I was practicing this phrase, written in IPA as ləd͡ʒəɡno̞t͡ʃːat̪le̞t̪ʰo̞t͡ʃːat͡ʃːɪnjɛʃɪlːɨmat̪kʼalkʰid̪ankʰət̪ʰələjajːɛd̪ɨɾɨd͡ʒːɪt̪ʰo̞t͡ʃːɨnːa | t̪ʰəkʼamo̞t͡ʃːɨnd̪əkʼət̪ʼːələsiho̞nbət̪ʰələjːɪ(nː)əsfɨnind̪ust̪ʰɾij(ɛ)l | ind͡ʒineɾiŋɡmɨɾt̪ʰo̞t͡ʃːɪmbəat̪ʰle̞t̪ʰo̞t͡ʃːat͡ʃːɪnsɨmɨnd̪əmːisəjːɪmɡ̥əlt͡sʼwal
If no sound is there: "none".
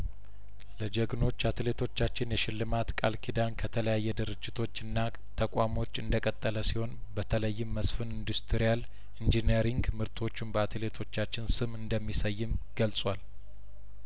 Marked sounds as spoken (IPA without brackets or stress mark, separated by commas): mː, a